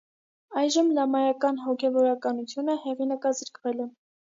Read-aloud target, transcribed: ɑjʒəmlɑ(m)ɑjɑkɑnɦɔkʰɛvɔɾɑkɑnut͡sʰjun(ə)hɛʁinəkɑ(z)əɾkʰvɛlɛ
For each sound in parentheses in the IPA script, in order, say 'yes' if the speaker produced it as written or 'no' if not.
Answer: yes, yes, yes

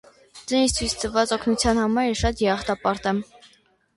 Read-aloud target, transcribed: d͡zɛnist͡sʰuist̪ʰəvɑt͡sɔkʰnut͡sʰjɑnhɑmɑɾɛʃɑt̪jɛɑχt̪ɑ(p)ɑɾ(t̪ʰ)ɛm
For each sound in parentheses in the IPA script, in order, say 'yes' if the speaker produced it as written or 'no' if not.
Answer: yes, no

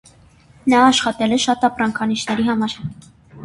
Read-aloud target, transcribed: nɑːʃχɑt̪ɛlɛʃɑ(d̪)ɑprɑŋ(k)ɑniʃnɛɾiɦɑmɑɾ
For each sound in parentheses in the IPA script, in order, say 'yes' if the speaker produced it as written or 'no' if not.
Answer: no, no

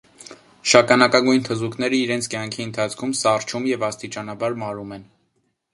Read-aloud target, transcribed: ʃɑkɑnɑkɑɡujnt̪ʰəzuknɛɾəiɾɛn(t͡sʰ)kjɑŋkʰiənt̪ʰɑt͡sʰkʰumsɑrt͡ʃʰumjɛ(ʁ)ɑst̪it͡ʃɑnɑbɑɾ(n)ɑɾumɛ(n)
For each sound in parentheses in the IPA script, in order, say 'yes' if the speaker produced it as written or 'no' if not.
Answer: yes, no, no, yes

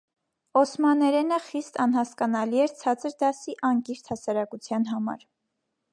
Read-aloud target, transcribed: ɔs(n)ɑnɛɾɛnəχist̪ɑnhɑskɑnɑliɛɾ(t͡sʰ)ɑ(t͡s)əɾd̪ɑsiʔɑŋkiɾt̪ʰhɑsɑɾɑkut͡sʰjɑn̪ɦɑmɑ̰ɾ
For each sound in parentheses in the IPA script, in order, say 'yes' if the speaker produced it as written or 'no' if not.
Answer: no, yes, yes

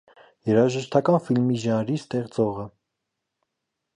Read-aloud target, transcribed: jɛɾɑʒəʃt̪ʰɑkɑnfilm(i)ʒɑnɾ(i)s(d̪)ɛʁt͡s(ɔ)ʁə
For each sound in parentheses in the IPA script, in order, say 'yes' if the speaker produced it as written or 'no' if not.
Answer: yes, yes, no, yes

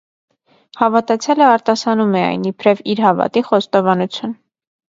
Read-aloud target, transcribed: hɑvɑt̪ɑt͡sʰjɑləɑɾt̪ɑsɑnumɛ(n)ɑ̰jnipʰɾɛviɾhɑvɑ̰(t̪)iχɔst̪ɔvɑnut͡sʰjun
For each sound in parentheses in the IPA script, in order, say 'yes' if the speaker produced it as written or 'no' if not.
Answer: no, yes

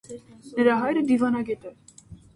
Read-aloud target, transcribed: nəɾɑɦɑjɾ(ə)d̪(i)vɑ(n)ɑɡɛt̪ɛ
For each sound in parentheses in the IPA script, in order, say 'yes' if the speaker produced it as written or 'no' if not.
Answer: yes, yes, yes

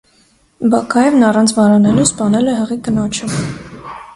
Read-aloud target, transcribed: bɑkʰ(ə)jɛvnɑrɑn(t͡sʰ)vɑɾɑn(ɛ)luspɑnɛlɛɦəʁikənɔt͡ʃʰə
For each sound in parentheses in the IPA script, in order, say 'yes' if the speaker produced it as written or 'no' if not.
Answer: no, yes, yes

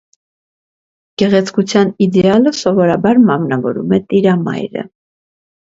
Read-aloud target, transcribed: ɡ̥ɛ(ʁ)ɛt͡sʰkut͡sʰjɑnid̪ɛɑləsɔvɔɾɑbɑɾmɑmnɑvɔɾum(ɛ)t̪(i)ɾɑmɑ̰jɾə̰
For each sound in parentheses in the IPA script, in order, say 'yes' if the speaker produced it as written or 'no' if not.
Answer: yes, yes, yes

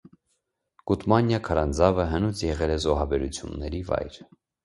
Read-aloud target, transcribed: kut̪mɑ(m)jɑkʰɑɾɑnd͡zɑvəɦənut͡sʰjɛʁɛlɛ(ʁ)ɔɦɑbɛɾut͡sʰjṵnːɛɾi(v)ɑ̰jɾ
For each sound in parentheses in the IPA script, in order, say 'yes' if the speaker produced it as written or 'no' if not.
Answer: no, no, yes

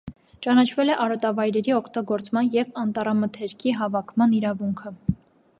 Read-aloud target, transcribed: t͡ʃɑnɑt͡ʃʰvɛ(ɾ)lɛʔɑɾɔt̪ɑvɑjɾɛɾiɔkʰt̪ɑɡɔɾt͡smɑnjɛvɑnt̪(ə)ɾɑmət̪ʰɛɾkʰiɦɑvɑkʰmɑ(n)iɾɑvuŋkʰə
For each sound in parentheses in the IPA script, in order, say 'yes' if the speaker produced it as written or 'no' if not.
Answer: no, no, yes

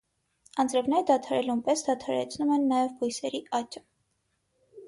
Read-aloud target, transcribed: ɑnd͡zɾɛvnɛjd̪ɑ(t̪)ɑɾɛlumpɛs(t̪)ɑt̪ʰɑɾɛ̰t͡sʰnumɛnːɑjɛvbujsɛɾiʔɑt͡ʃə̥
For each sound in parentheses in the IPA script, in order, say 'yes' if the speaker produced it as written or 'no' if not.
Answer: no, no

